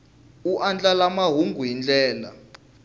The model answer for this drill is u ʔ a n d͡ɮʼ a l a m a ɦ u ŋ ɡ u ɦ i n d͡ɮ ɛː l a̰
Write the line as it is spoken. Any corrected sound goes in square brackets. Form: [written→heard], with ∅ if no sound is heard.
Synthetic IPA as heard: u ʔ a n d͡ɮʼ a l a m a ɦ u ŋ ɡ u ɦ i n d͡ɮ ɛː l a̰